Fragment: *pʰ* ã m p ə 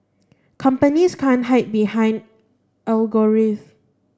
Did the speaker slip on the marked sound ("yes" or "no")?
yes